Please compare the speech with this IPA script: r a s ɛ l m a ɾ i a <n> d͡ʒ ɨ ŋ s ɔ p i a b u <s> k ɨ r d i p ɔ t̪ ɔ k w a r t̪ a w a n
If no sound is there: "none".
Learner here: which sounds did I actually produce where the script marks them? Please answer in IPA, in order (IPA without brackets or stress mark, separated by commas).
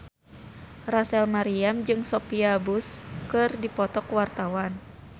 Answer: m, s